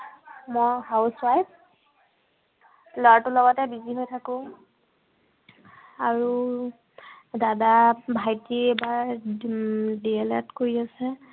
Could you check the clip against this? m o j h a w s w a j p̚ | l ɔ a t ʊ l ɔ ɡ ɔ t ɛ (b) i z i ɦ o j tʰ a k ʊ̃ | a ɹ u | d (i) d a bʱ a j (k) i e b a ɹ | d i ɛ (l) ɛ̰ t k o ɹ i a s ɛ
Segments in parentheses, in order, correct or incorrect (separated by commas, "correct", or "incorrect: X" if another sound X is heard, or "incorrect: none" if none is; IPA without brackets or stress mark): correct, incorrect: a, incorrect: t, correct